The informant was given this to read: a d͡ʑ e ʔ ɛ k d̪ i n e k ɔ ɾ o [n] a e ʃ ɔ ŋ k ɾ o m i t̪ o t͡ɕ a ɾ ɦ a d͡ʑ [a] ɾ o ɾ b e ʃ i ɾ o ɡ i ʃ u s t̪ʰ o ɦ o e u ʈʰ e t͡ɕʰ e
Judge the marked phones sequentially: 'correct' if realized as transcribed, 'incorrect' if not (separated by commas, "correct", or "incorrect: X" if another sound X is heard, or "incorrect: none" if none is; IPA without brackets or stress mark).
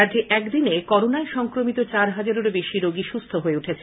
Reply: correct, correct